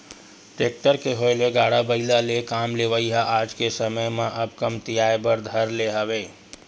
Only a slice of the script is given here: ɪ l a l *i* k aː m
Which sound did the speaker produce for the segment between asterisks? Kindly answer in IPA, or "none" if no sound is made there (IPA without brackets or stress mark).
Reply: e